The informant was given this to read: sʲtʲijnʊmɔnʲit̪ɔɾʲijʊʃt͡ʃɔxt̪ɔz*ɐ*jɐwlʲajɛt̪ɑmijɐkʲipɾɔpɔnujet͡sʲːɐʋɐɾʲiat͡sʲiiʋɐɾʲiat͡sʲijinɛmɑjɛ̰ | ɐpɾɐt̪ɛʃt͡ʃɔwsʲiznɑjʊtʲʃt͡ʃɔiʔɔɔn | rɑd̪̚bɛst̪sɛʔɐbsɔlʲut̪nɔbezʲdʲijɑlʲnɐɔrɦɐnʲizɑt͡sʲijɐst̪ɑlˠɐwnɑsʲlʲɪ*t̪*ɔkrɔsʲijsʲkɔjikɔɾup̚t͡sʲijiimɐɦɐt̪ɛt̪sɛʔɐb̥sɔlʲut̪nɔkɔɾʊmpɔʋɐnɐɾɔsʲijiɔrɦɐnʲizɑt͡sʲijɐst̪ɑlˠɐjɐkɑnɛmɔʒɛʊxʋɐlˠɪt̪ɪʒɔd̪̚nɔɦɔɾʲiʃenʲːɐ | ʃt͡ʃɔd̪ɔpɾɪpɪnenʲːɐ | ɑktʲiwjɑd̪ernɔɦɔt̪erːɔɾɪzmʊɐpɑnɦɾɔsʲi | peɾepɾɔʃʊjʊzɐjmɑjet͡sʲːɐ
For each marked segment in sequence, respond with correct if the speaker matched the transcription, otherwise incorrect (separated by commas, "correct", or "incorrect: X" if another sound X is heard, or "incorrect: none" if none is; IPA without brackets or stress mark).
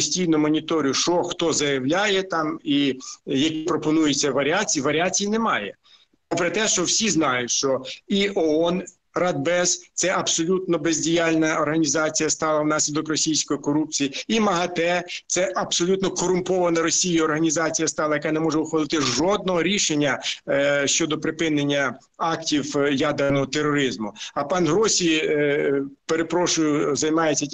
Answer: correct, incorrect: d̪